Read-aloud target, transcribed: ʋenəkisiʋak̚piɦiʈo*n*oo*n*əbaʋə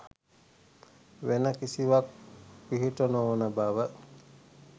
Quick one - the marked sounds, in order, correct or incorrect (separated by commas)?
correct, correct